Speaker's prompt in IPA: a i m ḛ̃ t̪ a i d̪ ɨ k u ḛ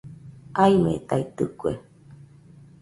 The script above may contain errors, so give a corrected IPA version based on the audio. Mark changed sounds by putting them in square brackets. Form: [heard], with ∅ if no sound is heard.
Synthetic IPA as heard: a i m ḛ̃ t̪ a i [t̪] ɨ k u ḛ